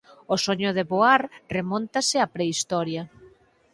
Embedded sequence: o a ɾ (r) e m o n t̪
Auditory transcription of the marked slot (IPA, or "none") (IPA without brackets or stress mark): r